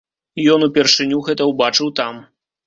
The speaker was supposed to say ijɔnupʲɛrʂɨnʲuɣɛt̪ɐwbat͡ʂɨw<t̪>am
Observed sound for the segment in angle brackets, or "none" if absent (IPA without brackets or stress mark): t̪